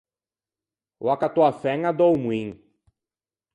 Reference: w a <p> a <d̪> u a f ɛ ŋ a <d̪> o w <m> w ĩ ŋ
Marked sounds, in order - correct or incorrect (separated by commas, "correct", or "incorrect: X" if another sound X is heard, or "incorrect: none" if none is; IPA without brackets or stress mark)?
incorrect: k, incorrect: t̪, correct, correct